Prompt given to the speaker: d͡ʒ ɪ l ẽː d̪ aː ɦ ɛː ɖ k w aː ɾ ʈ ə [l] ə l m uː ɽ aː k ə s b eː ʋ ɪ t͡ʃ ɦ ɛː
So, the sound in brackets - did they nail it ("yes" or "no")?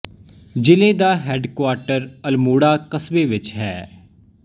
no